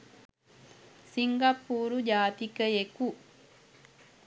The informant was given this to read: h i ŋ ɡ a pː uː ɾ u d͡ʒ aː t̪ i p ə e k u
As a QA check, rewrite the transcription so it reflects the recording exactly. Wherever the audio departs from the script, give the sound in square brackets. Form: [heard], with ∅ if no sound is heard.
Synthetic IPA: [s] i ŋ ɡ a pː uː ɾ u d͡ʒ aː t̪ i [k] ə e k u